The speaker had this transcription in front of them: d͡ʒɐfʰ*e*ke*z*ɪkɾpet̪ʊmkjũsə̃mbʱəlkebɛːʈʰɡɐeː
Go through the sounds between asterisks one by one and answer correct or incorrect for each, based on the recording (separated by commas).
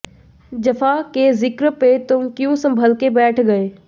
incorrect, correct